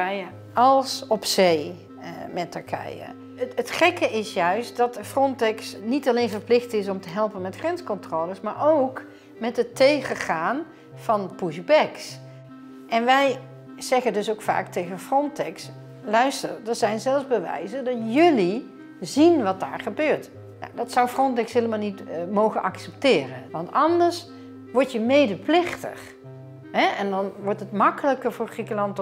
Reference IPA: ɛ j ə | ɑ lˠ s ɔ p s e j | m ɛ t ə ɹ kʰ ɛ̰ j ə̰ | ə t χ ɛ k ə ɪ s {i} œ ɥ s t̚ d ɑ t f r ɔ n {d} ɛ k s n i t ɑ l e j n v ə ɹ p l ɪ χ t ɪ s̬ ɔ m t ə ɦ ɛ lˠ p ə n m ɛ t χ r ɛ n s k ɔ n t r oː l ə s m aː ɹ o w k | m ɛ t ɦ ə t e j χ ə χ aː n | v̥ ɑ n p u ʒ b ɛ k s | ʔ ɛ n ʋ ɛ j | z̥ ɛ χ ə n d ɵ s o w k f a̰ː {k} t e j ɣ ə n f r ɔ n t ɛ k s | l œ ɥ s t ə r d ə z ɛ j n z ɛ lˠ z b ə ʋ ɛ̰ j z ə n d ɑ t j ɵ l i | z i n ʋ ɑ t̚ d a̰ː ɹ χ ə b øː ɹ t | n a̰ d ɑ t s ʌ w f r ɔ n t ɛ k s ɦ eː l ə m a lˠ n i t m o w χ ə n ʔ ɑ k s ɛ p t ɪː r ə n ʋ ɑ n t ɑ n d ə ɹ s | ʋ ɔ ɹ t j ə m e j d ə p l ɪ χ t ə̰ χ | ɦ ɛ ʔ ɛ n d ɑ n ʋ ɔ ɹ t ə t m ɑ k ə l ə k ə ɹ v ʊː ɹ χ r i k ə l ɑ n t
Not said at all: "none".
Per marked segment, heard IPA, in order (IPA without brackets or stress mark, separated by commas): j, t, k